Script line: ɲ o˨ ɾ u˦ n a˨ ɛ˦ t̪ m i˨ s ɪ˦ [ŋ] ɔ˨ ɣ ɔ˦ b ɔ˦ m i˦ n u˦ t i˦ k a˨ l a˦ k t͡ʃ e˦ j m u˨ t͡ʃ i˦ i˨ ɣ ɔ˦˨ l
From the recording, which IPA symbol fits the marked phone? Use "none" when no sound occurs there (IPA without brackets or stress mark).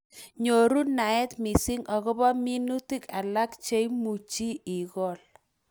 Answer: ŋ